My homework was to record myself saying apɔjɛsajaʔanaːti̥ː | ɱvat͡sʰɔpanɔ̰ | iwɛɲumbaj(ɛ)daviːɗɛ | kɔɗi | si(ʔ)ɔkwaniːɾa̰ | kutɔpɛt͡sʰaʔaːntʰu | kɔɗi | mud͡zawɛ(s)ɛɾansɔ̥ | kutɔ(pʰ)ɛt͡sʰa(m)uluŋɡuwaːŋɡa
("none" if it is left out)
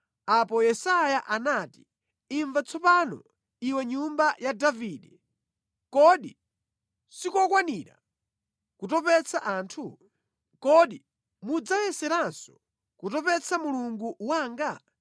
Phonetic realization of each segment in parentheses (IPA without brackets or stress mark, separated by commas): a, k, s, p, m